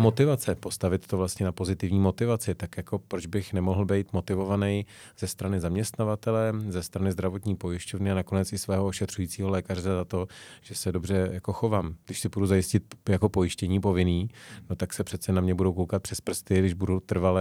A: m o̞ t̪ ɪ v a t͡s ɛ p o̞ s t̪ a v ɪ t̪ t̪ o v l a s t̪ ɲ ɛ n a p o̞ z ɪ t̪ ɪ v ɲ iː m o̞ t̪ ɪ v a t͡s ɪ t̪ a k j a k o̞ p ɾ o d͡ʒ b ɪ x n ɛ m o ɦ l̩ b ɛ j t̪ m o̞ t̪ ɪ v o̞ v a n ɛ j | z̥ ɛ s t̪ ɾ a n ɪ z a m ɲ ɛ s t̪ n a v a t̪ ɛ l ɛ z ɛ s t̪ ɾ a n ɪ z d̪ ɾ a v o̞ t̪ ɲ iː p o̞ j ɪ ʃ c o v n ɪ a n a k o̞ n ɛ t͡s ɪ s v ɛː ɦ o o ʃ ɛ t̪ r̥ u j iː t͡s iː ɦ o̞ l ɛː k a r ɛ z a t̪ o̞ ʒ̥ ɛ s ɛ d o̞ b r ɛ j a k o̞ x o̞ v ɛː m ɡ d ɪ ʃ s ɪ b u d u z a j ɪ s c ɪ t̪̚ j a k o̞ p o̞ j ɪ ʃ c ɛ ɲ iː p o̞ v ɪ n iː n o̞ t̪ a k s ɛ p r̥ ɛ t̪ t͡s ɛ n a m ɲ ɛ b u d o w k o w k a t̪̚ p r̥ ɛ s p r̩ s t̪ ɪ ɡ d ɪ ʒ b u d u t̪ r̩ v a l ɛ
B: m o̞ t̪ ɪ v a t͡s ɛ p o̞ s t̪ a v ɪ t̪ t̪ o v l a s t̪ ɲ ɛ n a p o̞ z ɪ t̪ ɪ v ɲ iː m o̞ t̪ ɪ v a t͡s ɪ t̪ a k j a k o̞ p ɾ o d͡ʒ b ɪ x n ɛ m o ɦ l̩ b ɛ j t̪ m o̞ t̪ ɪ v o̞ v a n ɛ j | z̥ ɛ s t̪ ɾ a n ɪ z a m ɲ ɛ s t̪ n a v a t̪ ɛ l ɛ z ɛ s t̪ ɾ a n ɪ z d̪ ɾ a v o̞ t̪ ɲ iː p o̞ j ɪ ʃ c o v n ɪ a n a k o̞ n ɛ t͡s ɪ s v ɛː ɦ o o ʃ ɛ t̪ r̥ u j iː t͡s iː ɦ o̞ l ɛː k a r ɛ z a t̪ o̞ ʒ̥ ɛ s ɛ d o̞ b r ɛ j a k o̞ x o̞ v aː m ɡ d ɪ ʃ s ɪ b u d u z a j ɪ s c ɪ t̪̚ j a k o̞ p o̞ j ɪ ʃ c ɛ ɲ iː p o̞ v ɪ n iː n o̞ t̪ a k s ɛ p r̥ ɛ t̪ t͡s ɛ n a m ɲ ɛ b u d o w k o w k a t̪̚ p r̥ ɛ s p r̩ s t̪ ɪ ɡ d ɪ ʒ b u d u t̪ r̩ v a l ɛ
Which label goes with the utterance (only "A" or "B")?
B